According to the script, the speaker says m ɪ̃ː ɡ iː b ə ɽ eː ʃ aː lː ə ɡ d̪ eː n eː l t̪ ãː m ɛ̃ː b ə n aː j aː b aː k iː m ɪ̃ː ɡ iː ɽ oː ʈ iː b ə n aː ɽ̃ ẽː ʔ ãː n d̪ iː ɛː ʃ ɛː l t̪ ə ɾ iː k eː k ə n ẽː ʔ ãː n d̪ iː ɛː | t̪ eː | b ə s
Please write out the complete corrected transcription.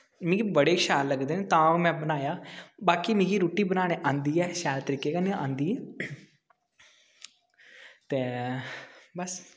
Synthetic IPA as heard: m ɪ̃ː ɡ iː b ə ɽ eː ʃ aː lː ə ɡ d̪ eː n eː t̪ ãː m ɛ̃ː b ə n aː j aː b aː k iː m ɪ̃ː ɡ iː ɾ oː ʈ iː b ə n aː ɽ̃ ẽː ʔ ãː n d̪ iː ɛː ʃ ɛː l t̪ ə ɾ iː k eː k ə n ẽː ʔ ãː n d̪ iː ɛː | t̪ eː | b ə s

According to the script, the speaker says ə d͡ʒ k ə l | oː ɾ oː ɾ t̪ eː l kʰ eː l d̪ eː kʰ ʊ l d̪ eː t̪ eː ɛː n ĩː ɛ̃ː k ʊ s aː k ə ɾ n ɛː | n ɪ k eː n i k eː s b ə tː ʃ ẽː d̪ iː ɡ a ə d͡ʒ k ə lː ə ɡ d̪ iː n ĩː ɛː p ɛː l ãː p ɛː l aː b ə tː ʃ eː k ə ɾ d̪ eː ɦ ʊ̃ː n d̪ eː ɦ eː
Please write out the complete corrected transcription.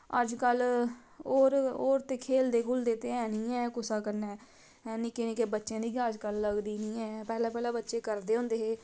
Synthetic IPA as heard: ə d͡ʒ k ə l | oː ɾ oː ɾ t̪ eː kʰ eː l d̪ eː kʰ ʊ l d̪ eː t̪ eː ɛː n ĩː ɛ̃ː k ʊ s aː k ə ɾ n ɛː | n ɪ k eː n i k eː b ə tː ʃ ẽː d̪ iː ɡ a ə d͡ʒ k ə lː ə ɡ d̪ iː n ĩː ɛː p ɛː l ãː p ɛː l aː b ə tː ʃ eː k ə ɾ d̪ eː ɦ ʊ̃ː n d̪ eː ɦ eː

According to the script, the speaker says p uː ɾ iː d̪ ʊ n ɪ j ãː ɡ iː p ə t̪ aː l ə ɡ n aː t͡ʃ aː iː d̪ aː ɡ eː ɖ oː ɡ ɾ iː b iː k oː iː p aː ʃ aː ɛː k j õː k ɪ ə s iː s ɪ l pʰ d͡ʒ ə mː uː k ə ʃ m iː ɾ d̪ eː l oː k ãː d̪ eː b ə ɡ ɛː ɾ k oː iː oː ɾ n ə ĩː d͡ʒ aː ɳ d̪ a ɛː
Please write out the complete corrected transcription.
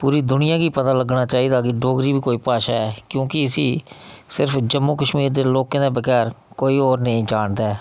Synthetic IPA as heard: p uː ɾ iː d̪ ʊ n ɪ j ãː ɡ iː p ə t̪ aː l ə ɡ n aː t͡ʃ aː iː d̪ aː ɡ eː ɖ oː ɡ ɾ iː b iː k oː iː p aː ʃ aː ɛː k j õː k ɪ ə s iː s ɪ ɾ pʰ d͡ʒ ə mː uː k ə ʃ m iː ɾ d̪ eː l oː k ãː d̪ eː b ə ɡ ɛː ɾ k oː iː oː ɾ n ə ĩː d͡ʒ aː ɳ d̪ a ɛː

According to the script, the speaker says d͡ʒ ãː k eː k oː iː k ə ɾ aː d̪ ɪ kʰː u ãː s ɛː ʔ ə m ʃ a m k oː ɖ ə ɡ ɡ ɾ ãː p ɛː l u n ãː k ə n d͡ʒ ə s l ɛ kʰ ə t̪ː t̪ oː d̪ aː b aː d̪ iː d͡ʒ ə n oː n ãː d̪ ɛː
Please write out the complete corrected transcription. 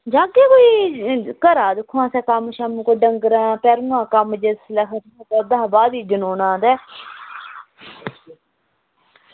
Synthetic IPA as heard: d͡ʒ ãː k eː k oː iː k ə ɾ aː d̪ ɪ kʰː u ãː s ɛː k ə m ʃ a m k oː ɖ ə ŋ ɡ ɾ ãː p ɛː ɾ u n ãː k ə m d͡ʒ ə s l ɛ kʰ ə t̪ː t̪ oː d̪ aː b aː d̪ iː d͡ʒ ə n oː n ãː d̪ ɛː

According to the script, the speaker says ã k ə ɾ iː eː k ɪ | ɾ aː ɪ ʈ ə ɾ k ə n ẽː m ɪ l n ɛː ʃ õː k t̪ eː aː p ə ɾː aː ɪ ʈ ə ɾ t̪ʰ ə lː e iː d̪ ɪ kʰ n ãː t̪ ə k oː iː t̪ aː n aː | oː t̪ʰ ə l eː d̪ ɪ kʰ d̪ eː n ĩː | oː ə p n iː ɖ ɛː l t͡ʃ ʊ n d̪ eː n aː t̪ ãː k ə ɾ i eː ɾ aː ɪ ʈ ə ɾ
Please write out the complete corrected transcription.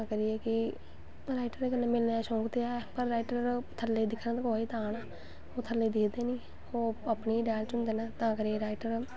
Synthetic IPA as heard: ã k ə ɾ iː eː k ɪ | ɾ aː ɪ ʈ ə ɾ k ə n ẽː m ɪ l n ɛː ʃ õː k t̪ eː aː p ə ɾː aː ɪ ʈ ə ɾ t̪ʰ ə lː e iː d̪ ɪ kʰ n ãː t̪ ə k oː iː t̪ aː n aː | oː t̪ʰ ə l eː d̪ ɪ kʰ d̪ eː n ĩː | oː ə p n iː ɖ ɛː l t͡ʃ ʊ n d̪ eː n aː t̪ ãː k ə ɾ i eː ɾ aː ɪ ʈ ə ɾ

